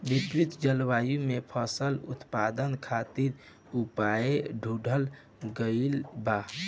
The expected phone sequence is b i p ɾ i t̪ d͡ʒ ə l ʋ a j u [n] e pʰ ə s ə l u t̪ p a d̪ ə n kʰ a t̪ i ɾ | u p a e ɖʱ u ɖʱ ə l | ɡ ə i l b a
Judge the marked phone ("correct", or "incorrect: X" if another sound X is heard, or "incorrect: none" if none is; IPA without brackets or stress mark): incorrect: m